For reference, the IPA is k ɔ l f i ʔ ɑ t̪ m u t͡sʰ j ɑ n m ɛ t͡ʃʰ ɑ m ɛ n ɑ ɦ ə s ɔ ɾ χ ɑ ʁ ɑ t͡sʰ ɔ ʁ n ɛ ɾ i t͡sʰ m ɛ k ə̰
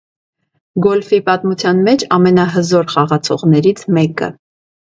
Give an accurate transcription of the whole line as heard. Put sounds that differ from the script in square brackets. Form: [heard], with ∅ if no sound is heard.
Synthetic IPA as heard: [ɡ] ɔ l f i [p] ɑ t̪ m u t͡sʰ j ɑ n m ɛ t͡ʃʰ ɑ m ɛ n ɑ ɦ ə [z] ɔ ɾ χ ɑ ʁ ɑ t͡sʰ ɔ ʁ n ɛ ɾ i t͡sʰ m ɛ k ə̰